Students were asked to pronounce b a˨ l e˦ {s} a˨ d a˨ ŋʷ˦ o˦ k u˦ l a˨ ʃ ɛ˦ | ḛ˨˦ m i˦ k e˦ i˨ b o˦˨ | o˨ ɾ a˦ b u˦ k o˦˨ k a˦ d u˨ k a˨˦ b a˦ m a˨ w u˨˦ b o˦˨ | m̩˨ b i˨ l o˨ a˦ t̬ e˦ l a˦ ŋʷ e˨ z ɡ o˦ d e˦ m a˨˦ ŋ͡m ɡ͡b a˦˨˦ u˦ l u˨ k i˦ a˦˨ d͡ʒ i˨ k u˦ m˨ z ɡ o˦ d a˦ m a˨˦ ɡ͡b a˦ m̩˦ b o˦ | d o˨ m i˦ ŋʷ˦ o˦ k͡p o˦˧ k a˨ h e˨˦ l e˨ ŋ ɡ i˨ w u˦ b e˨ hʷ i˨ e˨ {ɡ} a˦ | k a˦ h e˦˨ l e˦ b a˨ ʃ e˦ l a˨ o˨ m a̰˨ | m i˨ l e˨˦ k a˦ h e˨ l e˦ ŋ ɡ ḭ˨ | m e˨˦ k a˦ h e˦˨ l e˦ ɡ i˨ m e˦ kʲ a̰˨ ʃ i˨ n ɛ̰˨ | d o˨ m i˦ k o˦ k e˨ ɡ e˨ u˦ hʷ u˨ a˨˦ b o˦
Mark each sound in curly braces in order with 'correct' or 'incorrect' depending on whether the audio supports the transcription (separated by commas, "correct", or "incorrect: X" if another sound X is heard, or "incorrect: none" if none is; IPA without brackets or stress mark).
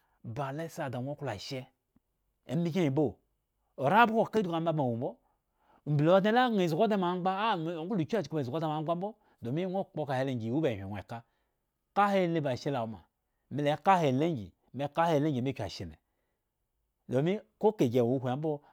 correct, incorrect: k